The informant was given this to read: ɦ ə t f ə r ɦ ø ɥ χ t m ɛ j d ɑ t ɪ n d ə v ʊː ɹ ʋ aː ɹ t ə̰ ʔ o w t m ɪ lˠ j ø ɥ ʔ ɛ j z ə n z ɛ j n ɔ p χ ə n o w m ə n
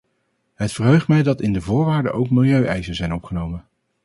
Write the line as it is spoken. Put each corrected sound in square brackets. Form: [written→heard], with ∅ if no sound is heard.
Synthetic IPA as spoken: ɦ ə t f ə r ɦ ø ɥ χ t m ɛ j d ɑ t ɪ n d ə v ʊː ɹ ʋ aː ɹ [t→d] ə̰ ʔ o w [t→k] m ɪ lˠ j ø ɥ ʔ ɛ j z ə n z ɛ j n ɔ p χ ə n o w m ə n